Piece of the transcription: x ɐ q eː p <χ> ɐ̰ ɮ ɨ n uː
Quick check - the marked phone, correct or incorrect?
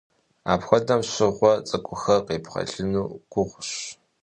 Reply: correct